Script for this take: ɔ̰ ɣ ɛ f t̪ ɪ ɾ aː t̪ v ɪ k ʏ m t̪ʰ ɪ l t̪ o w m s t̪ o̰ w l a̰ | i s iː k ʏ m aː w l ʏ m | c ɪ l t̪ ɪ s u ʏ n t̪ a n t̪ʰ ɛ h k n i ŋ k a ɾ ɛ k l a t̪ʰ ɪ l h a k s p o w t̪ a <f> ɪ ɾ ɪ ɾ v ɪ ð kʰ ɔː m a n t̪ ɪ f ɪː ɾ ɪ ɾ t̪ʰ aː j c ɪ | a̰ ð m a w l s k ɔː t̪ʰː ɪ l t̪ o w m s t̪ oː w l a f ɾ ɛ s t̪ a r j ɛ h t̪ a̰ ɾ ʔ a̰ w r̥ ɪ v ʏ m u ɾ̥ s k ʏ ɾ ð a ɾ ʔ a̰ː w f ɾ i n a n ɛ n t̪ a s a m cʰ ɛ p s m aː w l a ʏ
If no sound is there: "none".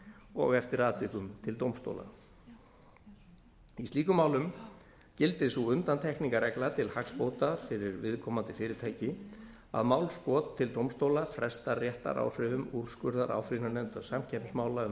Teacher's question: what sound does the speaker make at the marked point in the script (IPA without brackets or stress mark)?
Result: f